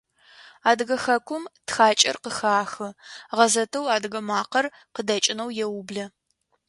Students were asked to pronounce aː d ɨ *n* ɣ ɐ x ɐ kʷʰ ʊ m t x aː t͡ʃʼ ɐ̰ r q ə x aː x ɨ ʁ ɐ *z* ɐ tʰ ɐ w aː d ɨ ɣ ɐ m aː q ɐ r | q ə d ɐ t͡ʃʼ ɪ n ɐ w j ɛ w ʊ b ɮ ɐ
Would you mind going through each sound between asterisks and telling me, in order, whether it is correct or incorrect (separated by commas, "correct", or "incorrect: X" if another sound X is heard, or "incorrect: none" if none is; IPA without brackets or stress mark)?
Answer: incorrect: none, correct